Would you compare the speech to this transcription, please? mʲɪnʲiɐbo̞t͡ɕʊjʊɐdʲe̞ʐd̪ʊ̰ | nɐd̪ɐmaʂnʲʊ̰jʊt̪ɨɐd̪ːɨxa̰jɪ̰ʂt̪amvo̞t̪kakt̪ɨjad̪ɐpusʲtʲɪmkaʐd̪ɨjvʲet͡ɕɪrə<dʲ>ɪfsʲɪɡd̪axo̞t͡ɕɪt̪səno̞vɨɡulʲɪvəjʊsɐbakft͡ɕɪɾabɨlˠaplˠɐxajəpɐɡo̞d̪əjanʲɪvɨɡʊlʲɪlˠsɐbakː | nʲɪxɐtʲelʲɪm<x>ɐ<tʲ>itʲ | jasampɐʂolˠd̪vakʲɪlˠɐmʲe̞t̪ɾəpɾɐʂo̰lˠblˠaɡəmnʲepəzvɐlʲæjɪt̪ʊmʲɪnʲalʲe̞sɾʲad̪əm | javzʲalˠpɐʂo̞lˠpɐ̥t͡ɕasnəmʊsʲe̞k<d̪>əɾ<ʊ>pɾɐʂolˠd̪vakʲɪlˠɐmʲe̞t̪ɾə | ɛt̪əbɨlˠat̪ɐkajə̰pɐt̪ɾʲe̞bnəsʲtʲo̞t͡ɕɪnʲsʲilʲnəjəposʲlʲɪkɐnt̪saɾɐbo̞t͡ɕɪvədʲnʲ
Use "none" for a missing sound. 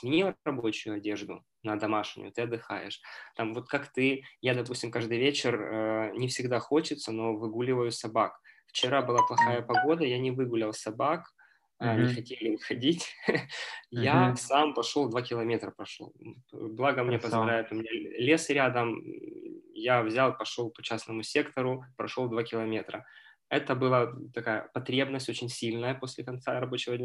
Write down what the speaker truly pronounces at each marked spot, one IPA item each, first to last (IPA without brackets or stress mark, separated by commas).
nʲ, x, dʲ, t̪, ʊ